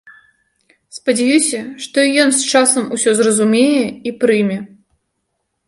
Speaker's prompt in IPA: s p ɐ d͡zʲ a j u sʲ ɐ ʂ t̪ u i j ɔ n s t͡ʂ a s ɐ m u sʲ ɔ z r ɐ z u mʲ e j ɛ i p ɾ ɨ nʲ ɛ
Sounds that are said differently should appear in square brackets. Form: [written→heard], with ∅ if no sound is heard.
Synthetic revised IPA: s p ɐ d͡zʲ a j u sʲ ɐ ʂ t̪ [u→ɔ] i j ɔ n s t͡ʂ a s ɐ m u sʲ ɔ z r ɐ z u mʲ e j ɛ i p ɾ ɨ [nʲ→mʲ] ɛ